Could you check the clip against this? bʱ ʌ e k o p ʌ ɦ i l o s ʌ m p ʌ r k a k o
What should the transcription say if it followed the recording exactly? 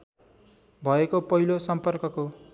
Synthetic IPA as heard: bʱ ʌ e k o p ʌ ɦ i l o s ʌ m p ʌ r k ʌ k o